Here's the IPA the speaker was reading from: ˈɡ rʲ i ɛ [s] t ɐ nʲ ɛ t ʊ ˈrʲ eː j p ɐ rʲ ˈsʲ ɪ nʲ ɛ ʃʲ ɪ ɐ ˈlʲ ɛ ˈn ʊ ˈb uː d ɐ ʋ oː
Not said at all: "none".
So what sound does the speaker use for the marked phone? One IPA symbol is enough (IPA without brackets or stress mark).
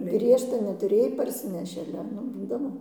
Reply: ʃ